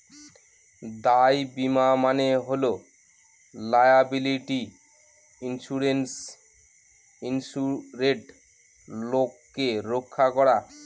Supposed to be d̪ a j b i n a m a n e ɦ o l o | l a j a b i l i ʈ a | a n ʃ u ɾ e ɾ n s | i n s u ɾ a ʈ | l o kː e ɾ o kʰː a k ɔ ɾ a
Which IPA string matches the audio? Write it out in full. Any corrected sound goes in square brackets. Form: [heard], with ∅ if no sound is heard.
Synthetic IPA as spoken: d̪ a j b i [m] a m a n e ɦ o l o | l a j a b i l i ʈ [i] | [i] n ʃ u ɾ e [∅] n s | i n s u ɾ [e] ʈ | l o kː e ɾ o kʰː a k ɔ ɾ a